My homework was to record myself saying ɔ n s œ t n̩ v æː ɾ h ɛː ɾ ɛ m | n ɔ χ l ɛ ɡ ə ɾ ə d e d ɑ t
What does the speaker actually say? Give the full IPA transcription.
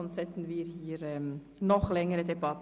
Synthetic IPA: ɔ n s ɛ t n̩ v iː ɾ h iː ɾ ɛ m | n ɔ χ l ɛ ŋ ə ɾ ə d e b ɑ t

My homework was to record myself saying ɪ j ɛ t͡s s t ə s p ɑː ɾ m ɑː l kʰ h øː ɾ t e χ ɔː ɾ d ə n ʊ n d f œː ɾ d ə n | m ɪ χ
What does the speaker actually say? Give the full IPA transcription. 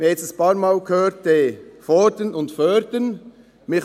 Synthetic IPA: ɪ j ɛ t͡s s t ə s p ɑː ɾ m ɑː l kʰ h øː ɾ t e f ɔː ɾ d ə n ʊ n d f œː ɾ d ə n | m ɪ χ

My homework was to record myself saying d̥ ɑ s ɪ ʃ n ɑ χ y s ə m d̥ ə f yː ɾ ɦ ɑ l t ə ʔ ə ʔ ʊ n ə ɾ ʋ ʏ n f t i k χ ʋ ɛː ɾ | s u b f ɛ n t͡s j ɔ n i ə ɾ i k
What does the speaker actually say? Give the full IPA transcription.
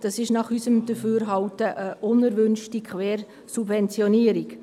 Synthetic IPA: d̥ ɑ s ɪ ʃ n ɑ χ y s ə m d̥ ə f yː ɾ ɦ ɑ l t ə ʔ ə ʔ ʊ n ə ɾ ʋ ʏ n ʃ t i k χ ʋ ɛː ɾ | s u b v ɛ n t͡s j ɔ n i ə ɾ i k

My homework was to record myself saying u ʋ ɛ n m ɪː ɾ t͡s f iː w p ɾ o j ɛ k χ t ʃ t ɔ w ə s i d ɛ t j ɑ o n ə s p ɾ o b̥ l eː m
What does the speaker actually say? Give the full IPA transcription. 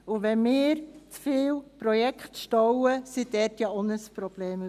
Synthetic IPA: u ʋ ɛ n m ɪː ɾ t͡s f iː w p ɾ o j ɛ k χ t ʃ t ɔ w ə s i d ɛ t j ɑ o n ə s p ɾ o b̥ l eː m

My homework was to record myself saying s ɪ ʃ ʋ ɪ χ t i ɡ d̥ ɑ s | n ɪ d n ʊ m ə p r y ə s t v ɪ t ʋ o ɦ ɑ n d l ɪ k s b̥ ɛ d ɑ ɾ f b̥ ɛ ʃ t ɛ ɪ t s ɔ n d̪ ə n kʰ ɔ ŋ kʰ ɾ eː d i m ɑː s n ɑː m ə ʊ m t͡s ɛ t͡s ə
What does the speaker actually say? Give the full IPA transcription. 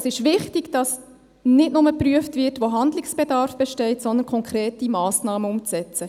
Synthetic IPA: s ɪ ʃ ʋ ɪ χ t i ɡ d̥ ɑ s | n ɪ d n ʊ m ə p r y ə f t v ɪ t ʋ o ɦ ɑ n d l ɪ k s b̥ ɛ d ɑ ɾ f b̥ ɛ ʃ t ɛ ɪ t s ɔ n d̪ ə n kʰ ɔ ŋ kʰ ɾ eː t i m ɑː s n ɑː m ə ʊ m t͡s ɛ t͡s ə

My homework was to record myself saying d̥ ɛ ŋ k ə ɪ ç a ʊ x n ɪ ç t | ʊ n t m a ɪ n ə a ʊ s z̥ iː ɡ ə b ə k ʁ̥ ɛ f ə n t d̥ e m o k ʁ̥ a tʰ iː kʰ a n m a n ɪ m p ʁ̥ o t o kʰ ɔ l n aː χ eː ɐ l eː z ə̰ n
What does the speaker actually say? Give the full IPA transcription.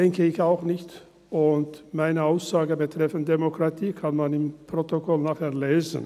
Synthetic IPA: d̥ ɛ ŋ k ə ɪ ç a ʊ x n ɪ ç t | ʊ n t m a ɪ n ə a ʊ s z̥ aː ɡ ə b ə t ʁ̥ ɛ f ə n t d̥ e m o k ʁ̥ a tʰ iː kʰ a n m a n ɪ m p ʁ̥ o t o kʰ ɔ l n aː χ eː ɐ l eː z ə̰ n

